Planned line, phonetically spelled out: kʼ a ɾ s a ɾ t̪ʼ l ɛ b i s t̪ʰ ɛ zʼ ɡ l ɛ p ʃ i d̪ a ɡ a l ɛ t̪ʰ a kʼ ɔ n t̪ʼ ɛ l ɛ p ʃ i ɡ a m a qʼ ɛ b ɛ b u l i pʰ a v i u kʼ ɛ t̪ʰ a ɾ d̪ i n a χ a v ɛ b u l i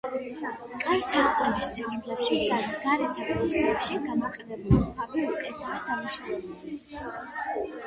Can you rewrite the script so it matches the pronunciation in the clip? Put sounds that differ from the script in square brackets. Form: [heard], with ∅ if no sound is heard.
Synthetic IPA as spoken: kʼ a ɾ s a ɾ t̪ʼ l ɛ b i s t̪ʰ ɛ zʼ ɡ l ɛ p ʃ i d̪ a ɡ a [ɾ] ɛ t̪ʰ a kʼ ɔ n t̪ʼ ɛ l ɛ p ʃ i ɡ a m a qʼ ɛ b ɛ b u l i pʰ a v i u kʼ ɛ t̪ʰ a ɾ d̪ [a] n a [ʃ] a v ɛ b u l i